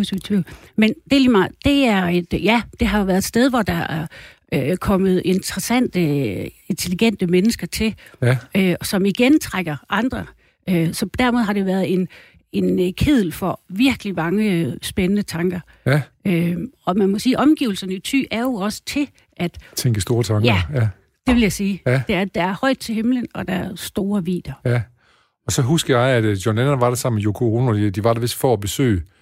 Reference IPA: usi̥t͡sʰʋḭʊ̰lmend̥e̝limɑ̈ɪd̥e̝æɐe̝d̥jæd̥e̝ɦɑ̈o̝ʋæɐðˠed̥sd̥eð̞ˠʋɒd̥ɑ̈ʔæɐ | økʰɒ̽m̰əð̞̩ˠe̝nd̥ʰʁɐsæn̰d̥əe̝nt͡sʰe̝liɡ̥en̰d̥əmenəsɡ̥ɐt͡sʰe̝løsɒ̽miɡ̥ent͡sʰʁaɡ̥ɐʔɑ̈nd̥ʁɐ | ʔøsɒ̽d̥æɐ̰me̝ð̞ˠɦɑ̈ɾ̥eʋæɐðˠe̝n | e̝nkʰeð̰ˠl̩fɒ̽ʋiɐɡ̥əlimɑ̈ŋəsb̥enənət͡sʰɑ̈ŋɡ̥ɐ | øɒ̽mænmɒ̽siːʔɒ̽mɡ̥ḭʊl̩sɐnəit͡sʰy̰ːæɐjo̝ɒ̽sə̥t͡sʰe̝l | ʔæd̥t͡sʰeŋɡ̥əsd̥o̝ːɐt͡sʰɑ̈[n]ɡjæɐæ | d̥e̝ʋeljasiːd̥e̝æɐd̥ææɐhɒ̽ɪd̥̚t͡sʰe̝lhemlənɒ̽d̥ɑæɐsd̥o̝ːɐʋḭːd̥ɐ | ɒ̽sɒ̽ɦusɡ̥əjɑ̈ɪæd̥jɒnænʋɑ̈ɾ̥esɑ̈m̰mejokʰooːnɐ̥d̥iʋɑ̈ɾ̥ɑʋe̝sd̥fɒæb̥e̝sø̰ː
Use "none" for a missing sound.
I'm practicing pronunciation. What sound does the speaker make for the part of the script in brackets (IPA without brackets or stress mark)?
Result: ŋ